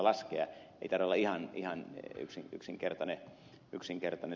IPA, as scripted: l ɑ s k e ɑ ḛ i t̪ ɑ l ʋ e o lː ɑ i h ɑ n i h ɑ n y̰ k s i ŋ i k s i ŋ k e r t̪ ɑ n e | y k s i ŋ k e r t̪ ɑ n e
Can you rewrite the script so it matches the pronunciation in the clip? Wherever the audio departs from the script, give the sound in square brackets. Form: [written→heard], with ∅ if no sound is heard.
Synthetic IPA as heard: l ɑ s k e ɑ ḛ i t̪ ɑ [l→r] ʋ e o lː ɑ i h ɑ n i h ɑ n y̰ k s i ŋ [i→y] k s i ŋ k e r t̪ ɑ n e | y k s i ŋ k e r t̪ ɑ n e